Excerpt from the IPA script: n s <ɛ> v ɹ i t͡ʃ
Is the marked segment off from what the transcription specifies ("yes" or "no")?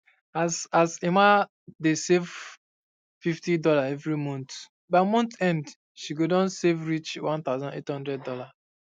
yes